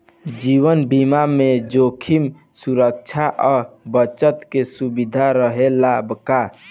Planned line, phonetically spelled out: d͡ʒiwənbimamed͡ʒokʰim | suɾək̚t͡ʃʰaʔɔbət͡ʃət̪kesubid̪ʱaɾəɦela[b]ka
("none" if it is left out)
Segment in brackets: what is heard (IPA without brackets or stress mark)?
b